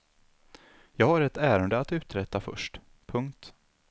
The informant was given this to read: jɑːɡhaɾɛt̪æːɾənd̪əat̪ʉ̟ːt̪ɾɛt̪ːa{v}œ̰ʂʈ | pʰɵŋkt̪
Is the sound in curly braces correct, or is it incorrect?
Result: incorrect